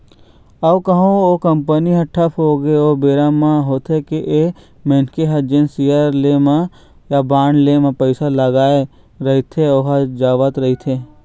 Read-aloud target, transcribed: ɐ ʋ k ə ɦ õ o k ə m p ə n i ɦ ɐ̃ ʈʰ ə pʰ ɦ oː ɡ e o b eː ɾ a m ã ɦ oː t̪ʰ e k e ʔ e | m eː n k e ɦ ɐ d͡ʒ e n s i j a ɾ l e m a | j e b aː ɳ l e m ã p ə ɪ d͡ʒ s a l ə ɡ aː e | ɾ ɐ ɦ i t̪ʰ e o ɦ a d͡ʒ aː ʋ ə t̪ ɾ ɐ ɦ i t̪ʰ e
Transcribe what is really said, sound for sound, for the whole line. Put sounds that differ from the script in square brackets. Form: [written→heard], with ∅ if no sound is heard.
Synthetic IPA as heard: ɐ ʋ k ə ɦ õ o k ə m p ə n i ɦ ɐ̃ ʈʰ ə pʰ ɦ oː ɡ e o b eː ɾ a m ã ɦ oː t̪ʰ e k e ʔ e | m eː n k e ɦ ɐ d͡ʒ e n s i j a ɾ l e m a | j [e→a] b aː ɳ l e m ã p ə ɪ [d͡ʒ→∅] s a l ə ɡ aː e | ɾ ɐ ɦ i t̪ʰ e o ɦ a d͡ʒ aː ʋ ə t̪ ɾ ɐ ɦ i t̪ʰ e